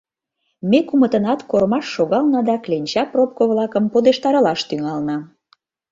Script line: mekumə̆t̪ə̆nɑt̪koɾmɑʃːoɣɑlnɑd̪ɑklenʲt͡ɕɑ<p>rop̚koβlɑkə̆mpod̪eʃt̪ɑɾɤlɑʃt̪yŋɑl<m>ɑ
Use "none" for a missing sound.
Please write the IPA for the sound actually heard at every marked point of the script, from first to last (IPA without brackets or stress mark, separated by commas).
p, n